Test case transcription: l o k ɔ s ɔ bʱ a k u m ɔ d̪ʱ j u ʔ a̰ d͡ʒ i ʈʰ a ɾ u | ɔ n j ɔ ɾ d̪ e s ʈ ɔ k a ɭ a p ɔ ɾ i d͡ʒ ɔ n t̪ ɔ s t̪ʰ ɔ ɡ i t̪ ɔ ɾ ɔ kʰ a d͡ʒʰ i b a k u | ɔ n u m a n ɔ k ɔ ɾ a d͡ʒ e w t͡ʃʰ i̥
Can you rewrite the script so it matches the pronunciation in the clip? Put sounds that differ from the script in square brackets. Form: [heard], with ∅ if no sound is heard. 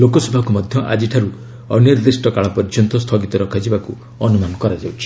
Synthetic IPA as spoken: l o k ɔ s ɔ bʱ a k u m ɔ d̪ʱ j [ɔ] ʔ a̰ d͡ʒ i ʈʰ a ɾ u | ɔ n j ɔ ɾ d̪ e s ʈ ɔ k a ɭ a p ɔ ɾ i d͡ʒ ɔ n t̪ ɔ s t̪ʰ ɔ ɡ i t̪ ɔ ɾ ɔ kʰ a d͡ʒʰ i b a k u | ɔ n u m a n ɔ k ɔ ɾ a d͡ʒ [a] w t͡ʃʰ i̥